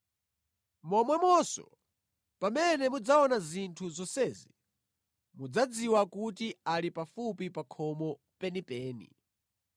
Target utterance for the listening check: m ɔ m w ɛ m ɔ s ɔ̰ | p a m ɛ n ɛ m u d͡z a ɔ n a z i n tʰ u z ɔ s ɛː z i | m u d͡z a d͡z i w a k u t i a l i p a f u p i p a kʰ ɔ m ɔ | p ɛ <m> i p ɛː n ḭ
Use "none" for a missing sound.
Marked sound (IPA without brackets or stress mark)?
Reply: n